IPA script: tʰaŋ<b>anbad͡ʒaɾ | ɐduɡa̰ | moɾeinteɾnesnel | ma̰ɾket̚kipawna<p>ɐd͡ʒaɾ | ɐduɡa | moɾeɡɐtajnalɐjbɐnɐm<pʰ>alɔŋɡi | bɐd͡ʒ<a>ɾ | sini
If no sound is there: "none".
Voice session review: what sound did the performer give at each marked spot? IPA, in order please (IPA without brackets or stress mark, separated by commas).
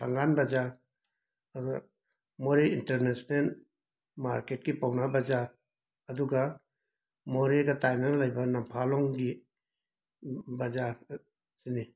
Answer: ɡ, b, pʰ, a